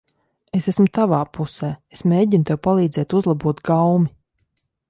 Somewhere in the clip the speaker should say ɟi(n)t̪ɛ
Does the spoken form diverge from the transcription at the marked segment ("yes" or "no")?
no